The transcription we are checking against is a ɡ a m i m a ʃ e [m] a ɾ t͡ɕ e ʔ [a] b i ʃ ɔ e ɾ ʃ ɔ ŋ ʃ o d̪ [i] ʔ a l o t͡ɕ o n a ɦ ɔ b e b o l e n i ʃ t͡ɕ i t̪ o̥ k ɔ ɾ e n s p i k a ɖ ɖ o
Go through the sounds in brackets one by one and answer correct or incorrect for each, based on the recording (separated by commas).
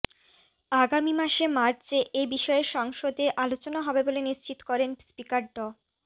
correct, incorrect, incorrect